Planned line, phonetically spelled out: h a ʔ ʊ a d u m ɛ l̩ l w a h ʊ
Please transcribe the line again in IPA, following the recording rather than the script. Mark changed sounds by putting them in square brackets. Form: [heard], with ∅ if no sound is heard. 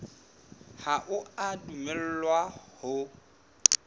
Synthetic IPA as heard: h a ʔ ʊ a d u m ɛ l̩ l w a h ʊ